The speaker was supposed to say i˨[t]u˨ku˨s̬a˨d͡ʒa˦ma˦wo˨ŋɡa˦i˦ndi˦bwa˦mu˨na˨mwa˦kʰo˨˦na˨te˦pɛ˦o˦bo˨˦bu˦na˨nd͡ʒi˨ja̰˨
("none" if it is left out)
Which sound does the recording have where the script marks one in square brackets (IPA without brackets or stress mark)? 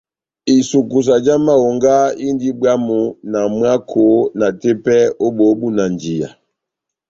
s